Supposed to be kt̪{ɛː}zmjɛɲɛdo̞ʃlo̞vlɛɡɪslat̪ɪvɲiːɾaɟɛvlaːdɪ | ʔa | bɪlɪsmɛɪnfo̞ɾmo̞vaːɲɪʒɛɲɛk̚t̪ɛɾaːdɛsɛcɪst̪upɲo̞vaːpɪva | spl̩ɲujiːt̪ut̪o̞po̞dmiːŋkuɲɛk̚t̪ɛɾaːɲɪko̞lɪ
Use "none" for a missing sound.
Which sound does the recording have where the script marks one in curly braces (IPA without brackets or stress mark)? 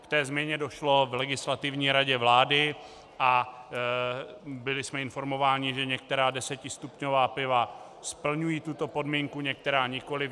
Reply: ɛː